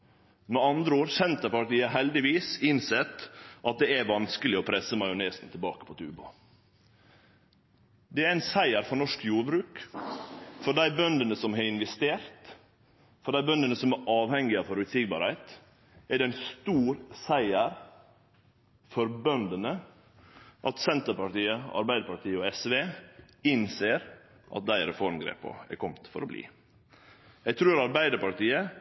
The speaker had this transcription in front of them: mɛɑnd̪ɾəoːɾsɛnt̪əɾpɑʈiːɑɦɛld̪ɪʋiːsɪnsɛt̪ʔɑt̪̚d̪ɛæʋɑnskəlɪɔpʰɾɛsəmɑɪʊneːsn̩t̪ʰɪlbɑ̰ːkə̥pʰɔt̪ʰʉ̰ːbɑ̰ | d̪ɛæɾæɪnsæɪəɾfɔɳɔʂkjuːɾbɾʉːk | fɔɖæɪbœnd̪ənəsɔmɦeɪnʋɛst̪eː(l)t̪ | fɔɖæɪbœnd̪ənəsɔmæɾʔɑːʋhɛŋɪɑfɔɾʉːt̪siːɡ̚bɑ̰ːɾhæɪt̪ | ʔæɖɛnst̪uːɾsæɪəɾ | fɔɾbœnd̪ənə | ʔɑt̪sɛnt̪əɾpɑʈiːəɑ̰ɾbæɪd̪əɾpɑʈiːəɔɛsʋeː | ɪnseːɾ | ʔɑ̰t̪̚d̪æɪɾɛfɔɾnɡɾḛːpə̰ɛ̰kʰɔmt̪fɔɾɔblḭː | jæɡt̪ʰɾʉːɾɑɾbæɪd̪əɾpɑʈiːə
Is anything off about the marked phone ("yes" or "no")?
yes